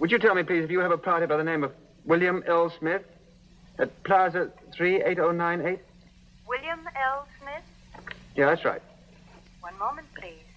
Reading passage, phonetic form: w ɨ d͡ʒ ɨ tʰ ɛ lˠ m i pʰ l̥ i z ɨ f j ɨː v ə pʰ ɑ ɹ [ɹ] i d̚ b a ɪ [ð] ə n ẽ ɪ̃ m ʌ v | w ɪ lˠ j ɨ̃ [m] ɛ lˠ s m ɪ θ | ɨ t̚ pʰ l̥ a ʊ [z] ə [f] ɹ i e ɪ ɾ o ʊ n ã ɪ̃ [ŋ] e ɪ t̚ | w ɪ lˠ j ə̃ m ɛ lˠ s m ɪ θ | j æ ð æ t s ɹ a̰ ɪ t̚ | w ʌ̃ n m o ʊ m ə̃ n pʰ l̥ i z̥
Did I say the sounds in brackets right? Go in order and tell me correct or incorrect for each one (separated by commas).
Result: incorrect, correct, correct, correct, incorrect, incorrect